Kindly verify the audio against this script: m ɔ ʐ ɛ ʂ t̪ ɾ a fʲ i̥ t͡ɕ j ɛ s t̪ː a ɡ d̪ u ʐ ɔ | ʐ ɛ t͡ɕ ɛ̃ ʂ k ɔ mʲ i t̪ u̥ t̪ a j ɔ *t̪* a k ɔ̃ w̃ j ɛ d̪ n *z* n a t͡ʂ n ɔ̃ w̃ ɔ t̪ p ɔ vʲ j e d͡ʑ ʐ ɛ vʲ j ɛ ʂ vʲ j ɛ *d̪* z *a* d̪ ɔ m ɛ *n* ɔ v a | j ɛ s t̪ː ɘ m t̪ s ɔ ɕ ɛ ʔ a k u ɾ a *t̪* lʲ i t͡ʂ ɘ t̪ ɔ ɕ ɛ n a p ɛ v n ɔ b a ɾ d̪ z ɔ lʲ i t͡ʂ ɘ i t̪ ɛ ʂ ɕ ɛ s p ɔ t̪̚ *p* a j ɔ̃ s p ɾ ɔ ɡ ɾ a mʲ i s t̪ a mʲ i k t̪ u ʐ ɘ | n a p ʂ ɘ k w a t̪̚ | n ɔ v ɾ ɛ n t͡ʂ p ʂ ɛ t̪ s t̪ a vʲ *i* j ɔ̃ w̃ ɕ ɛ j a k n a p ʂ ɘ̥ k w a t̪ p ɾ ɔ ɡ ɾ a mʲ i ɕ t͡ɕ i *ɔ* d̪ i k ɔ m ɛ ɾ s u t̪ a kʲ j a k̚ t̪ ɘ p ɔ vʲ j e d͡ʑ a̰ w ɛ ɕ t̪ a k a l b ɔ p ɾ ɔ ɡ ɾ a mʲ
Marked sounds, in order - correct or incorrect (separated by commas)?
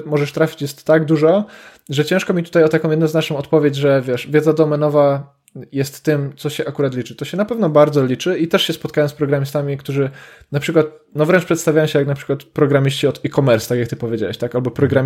correct, correct, correct, correct, correct, correct, incorrect, incorrect, correct